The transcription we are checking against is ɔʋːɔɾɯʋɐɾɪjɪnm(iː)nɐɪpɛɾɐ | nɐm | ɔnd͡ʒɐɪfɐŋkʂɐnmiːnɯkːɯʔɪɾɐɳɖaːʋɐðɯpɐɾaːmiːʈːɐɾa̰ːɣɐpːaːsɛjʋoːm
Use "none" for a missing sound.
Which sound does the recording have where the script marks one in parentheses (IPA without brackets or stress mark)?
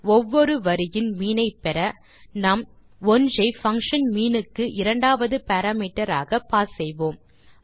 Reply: iː